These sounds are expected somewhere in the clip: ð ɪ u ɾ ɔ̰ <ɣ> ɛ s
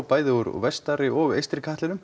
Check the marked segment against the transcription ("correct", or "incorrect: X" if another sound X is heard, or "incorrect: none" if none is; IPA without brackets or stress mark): incorrect: v